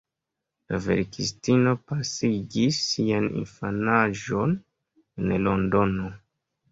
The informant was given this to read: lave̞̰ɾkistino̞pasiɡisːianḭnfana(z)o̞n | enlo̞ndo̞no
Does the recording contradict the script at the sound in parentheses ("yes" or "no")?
yes